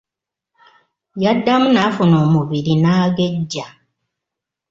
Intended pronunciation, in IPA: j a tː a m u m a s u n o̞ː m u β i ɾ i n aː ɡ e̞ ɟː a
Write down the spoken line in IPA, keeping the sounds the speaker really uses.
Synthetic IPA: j a dː a m u n a f u n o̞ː m u β i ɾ i n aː ɡ e̞ ɟː a